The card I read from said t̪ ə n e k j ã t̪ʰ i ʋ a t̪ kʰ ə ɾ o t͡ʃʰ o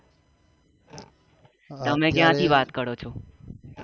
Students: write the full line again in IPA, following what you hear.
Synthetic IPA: t̪ ə m e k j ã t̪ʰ i ʋ a t̪ k ə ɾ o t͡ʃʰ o

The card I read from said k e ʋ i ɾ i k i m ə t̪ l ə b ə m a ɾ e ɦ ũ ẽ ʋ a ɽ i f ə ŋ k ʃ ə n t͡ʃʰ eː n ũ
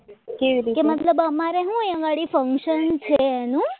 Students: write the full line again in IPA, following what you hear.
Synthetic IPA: k e ʋ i ɾ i k e m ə t̪ l ə b ə m a ɾ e ɦ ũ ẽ ʋ a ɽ i f ə ŋ k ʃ ə n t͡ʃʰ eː n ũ

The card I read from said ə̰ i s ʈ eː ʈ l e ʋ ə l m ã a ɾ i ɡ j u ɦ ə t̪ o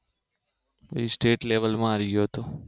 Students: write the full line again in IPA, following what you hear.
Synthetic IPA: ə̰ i s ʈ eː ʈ l e ʋ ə l m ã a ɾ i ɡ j o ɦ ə t̪ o

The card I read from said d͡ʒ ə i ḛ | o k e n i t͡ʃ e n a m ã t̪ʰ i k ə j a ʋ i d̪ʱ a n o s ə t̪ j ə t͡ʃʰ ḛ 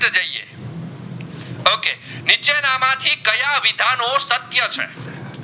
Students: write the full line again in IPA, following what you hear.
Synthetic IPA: d͡ʒ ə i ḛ | o k e n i t͡ʃ e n a m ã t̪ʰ i k ə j a ʋ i d̪ʱ a n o s ə t̪ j ə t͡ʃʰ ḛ

